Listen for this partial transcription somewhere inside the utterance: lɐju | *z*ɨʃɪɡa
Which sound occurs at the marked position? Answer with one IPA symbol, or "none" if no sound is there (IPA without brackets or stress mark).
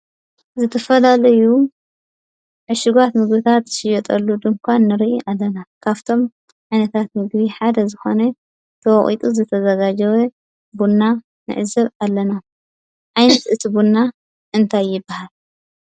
ʕ